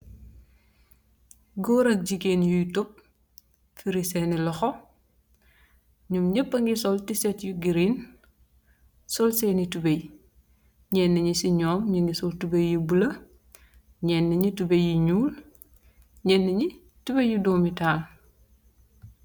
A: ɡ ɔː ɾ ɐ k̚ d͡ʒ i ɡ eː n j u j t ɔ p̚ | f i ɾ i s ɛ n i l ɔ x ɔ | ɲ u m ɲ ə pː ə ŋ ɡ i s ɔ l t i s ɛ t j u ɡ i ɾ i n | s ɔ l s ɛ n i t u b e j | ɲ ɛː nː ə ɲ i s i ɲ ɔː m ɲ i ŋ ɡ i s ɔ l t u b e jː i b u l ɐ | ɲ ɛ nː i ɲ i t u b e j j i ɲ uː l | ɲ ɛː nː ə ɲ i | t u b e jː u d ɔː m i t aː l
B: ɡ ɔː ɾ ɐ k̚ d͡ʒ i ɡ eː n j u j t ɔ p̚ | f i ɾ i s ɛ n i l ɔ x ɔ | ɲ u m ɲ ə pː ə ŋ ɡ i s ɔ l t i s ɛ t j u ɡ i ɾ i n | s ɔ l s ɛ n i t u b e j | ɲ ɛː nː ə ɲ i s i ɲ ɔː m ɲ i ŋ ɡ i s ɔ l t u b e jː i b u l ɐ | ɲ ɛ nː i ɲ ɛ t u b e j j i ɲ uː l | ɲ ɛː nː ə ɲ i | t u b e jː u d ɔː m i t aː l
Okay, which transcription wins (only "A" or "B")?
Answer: A